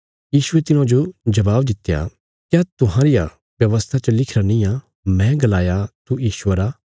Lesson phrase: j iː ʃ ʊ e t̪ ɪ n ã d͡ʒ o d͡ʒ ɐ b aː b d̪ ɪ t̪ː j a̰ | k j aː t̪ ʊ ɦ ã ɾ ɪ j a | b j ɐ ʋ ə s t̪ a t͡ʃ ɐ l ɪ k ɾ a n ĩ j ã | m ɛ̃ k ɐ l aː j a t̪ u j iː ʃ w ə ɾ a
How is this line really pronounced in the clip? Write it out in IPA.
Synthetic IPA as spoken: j iː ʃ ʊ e t̪ ɪ n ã d͡ʒ o d͡ʒ ɐ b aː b d̪ ɪ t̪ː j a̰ | k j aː t̪ ʊ ɦ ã ɾ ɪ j a | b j ɐ ʋ ə s t̪ʰ a t͡ʃ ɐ l ɪ kʰ ɾ a n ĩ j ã | m ɛ̃ ɡ ɐ l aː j a t̪ u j iː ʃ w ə ɾ a